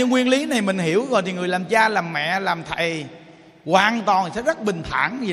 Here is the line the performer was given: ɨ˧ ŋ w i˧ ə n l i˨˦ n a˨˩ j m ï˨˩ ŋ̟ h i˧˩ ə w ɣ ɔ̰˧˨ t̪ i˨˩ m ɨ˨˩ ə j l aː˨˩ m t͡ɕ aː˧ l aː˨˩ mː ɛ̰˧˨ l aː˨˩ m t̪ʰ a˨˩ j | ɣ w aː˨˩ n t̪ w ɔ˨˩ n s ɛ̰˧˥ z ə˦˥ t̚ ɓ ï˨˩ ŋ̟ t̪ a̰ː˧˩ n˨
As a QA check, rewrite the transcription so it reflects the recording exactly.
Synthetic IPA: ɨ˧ ŋ w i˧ ə n l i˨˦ n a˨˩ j m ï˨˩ ŋ̟ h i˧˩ ə w ɣ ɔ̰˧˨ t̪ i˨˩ ŋ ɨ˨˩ ə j l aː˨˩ m t͡ɕ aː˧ l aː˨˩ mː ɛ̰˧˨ l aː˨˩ m t̪ʰ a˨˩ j | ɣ w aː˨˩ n t̪ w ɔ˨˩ n s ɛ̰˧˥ z ə˦˥ t̚ ɓ ï˨˩ ŋ̟ t̪ʰ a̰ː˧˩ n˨